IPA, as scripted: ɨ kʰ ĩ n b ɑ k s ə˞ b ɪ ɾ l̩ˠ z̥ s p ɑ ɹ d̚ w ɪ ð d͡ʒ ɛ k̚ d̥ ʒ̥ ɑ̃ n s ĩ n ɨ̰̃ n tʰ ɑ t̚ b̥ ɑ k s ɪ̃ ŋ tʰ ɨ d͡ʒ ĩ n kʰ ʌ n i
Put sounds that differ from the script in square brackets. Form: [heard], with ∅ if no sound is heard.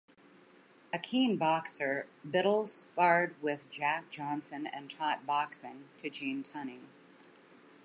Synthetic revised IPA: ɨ kʰ ĩ n b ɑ k s ə˞ b ɪ ɾ l̩ˠ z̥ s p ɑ ɹ d̚ w ɪ ð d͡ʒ [æ] k̚ d̥ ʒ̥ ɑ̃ n s [ɨ̃] n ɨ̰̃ n tʰ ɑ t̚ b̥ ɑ k s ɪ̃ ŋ tʰ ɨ d͡ʒ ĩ n [tʰ] ʌ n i